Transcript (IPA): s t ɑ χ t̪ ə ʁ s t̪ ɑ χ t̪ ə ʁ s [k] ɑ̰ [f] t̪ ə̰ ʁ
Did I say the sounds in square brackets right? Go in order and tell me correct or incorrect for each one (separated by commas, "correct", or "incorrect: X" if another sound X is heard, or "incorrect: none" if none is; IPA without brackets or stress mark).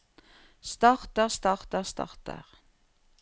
incorrect: t, incorrect: χ